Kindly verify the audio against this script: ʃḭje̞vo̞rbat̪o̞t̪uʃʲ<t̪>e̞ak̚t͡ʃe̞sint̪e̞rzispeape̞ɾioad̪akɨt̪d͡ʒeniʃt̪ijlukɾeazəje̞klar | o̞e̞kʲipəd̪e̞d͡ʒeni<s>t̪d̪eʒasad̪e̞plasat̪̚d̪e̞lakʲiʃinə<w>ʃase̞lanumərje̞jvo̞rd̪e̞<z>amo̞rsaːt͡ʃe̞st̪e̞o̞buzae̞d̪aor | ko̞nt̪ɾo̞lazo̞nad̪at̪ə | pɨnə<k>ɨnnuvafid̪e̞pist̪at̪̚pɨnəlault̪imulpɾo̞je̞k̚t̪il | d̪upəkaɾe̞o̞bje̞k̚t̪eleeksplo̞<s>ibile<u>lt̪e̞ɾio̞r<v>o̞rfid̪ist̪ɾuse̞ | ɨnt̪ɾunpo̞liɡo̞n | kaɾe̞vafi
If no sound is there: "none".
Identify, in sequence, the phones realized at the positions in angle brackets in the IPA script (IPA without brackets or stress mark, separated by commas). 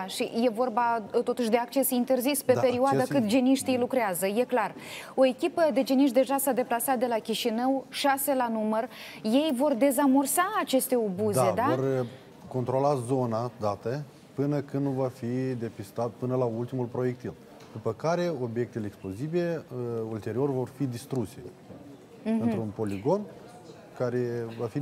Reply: d̪, ʃ, w, z, k, z, u, v